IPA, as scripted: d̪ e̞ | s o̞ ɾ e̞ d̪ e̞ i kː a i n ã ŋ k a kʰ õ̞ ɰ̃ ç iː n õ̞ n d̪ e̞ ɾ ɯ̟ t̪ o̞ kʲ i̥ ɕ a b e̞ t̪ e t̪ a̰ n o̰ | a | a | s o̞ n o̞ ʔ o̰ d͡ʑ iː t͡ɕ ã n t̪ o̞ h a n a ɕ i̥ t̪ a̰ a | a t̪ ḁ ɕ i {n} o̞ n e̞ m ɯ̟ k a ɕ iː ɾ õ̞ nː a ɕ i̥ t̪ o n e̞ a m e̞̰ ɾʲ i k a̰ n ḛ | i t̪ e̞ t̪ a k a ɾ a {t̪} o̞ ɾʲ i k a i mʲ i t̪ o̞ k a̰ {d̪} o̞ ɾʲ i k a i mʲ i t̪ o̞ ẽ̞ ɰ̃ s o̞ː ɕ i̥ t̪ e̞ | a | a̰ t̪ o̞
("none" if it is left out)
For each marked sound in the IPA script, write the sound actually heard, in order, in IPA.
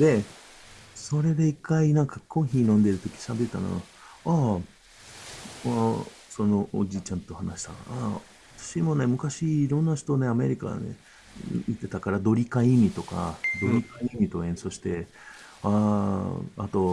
m, d̪, d̪

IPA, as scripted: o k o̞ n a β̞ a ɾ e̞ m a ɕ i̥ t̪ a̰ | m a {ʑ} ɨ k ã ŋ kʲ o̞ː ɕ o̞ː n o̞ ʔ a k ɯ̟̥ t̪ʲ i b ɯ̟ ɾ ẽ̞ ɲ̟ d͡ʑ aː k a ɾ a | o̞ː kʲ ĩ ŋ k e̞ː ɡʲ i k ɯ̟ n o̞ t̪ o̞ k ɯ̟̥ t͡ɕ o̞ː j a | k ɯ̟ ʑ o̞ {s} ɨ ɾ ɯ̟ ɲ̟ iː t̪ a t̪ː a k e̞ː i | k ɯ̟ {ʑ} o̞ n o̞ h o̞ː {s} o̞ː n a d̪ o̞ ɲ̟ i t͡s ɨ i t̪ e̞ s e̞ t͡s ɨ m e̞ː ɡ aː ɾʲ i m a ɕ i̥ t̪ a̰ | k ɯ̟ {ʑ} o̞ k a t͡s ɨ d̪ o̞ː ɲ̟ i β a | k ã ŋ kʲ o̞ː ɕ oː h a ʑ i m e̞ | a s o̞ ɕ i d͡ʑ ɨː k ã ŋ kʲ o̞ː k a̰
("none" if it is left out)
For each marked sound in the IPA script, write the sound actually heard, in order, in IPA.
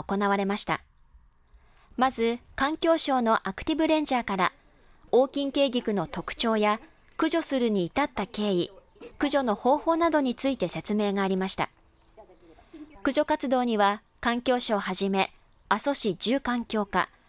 z, s, ʑ, h, ʑ

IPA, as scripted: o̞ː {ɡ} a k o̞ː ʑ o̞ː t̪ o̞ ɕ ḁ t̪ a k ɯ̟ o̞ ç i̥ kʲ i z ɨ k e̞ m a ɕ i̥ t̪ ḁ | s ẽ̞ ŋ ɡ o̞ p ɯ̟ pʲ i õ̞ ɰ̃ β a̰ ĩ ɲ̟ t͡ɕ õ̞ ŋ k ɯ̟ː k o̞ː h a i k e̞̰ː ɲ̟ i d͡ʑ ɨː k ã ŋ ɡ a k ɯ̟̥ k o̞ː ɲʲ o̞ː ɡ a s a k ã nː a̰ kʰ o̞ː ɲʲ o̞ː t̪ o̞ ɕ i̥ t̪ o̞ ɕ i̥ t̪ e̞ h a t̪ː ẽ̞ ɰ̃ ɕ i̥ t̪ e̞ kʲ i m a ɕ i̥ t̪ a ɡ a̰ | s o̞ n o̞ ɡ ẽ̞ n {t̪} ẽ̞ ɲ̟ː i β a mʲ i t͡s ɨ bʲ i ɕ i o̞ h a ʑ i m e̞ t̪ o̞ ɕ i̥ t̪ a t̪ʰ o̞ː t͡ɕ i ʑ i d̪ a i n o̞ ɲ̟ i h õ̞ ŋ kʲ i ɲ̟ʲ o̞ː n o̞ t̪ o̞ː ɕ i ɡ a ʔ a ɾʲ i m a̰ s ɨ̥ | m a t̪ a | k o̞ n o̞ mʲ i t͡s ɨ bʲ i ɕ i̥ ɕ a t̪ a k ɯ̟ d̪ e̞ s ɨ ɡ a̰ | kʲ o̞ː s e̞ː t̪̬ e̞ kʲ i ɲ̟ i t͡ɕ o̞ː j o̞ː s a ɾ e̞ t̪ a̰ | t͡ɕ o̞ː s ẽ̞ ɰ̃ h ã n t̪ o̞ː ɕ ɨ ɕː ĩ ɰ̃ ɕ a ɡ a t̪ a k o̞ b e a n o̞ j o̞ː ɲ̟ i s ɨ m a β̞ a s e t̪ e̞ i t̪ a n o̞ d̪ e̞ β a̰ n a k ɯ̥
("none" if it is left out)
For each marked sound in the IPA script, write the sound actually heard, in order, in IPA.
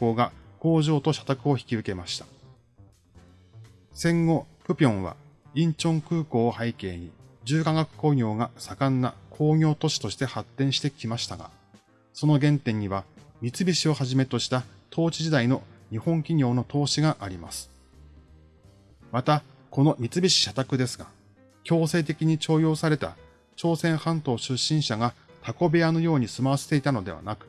ɡ, t̪

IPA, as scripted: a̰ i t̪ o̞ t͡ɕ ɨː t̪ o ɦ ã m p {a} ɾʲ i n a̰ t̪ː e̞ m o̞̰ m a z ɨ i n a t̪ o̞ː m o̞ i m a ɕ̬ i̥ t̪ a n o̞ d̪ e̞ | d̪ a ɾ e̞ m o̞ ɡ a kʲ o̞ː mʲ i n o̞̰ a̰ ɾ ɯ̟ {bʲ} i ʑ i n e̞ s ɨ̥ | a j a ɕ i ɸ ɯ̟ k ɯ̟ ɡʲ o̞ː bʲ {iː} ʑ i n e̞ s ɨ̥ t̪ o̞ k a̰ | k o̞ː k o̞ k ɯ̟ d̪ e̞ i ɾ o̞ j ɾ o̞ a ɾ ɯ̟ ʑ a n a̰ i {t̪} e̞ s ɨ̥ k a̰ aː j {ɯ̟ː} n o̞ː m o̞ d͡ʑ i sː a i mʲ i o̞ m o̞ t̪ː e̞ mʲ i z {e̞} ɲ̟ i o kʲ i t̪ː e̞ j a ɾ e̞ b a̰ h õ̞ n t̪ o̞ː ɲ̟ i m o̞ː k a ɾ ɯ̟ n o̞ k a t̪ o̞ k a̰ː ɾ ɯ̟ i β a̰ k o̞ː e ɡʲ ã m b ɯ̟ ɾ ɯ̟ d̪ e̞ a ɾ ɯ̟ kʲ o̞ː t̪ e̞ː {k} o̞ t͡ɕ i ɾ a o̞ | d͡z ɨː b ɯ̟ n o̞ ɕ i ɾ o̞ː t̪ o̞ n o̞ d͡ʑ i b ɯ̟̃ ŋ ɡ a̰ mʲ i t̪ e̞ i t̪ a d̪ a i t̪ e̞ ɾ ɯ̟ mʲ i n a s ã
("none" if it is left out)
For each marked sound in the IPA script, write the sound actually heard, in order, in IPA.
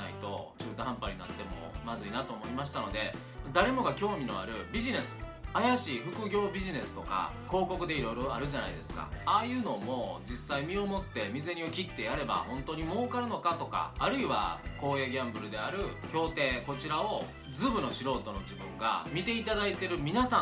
a, bʲ, i, d̪, ɯ̟ː, e̞, k

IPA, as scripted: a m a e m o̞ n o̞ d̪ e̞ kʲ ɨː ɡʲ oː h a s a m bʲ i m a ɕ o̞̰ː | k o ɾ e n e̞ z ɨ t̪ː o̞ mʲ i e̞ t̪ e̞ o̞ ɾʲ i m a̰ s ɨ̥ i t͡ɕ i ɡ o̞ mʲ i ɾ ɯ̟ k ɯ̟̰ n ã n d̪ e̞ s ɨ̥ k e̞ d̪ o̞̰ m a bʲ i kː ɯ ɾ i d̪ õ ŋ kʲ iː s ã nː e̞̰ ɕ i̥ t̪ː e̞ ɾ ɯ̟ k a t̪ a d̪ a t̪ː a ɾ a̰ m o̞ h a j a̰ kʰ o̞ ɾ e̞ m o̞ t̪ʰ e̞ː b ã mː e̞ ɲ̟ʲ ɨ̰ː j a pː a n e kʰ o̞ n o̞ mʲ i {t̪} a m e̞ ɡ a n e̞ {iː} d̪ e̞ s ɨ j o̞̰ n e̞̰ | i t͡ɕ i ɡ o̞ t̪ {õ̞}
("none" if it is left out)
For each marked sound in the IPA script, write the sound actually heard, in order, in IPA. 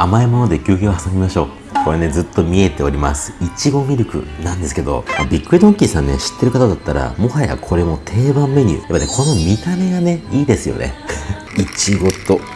t̪, iː, o̞

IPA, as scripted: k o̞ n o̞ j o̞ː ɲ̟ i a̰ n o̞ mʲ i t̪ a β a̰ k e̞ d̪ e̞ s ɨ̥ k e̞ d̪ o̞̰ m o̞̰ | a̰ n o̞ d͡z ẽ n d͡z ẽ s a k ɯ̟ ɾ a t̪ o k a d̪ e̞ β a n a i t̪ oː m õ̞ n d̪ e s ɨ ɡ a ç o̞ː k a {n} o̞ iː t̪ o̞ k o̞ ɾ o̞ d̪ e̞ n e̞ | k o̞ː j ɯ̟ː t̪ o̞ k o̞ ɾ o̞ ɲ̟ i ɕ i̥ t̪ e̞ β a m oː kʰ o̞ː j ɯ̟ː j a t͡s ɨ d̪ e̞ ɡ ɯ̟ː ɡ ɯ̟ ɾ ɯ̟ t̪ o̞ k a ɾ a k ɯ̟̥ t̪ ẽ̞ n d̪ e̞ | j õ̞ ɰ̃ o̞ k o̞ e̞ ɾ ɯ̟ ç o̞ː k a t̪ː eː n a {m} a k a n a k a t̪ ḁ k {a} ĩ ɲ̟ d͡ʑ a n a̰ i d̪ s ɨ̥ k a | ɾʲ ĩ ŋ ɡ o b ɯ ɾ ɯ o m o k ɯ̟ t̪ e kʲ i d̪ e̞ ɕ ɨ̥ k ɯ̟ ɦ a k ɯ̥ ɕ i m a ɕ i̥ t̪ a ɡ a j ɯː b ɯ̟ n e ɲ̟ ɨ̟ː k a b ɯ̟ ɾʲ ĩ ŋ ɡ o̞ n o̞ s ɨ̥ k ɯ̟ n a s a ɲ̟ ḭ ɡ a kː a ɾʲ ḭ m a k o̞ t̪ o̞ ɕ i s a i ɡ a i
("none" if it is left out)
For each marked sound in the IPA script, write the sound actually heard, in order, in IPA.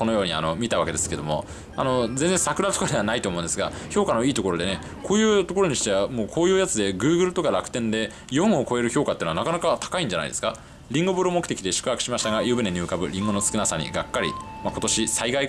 n, n, a

